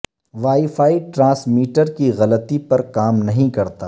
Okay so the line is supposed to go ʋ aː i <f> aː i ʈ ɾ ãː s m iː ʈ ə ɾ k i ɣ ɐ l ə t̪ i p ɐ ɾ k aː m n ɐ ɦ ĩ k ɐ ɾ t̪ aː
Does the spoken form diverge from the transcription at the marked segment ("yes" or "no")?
no